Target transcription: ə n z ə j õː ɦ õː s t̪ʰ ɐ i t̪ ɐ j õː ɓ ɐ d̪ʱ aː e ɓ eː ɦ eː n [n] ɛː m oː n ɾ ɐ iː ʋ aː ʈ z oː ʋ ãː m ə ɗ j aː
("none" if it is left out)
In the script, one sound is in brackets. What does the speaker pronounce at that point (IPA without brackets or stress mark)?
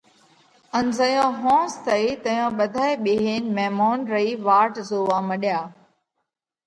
m